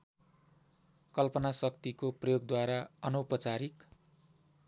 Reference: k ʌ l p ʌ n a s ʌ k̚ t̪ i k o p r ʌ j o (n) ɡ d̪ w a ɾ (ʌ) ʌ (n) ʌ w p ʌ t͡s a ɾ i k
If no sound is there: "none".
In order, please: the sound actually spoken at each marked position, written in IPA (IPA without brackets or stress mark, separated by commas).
none, a, n